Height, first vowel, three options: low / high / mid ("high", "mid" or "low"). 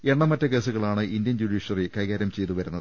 mid